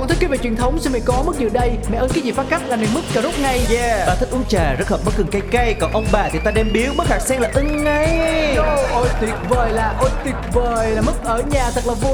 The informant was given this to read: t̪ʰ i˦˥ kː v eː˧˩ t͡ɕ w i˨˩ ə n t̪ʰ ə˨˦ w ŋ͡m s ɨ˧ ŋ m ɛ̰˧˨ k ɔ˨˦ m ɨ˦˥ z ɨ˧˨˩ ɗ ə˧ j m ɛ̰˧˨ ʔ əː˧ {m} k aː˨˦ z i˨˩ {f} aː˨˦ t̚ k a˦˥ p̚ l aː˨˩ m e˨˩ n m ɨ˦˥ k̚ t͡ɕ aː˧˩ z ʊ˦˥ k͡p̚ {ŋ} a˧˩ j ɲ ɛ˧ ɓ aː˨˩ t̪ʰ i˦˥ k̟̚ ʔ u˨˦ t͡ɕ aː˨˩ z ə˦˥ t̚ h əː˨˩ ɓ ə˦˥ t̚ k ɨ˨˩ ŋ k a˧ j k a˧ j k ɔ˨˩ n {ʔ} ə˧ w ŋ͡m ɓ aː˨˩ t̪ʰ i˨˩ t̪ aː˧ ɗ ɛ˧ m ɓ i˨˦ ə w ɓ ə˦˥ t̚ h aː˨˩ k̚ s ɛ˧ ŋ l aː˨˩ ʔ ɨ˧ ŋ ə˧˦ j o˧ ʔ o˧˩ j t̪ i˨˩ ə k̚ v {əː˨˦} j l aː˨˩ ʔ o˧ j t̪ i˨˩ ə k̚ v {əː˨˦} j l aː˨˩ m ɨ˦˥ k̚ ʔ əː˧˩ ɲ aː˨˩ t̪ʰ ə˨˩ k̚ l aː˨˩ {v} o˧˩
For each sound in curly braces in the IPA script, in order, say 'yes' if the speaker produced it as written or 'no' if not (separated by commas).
no, yes, yes, yes, no, no, yes